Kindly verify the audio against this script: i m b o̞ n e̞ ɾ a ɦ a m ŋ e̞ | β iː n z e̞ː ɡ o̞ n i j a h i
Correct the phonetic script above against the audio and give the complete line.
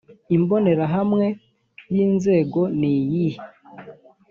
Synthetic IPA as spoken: i m b o̞ n e̞ ɾ a ɦ a m ŋ e̞ | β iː n z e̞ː ɡ o̞ n i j i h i